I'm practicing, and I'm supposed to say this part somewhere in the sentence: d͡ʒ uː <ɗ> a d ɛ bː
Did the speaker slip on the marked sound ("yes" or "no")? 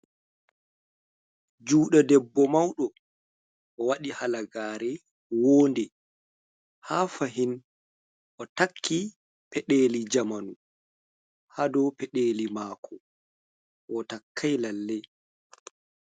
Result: no